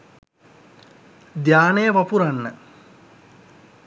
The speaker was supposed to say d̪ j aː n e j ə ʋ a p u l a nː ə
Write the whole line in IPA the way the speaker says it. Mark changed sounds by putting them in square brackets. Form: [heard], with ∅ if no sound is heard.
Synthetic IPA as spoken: d̪ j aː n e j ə ʋ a p u [ɾ] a nː ə